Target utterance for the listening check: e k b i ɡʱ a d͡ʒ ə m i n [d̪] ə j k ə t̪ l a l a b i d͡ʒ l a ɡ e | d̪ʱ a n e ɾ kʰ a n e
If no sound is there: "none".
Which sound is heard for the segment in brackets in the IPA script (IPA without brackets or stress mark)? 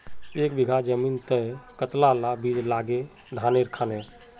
t̪